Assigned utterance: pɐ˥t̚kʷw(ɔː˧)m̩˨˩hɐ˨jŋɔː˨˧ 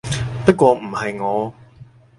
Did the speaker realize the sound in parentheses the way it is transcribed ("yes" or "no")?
yes